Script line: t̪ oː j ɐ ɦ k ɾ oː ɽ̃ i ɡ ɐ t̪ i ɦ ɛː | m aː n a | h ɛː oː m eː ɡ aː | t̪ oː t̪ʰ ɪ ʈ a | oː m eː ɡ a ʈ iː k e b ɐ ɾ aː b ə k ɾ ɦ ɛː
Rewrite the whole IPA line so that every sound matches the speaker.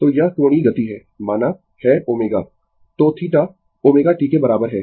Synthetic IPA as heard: t̪ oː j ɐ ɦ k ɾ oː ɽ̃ i ɡ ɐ t̪ i ɦ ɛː | m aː n a | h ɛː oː m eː ɡ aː | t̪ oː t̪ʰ i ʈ a | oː m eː ɡ a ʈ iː k e b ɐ ɾ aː b ə ɾ ɦ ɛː